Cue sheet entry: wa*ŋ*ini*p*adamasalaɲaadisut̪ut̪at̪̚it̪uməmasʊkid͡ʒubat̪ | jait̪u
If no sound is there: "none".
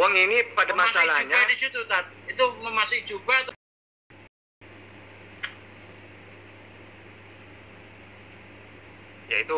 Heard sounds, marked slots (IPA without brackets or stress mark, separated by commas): ŋ, p